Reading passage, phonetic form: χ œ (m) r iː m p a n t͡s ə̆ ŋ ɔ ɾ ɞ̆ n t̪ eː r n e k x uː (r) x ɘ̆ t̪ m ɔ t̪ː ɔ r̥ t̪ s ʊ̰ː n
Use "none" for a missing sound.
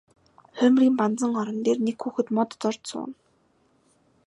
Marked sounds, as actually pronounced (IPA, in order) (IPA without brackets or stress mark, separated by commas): m, none